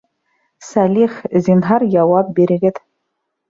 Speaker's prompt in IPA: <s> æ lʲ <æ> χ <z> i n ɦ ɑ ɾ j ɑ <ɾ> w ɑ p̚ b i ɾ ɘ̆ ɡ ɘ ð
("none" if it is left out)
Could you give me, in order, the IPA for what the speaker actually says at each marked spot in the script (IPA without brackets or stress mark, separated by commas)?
s, i, z, none